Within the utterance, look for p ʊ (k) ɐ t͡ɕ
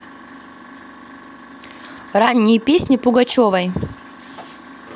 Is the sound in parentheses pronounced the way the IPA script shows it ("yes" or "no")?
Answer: no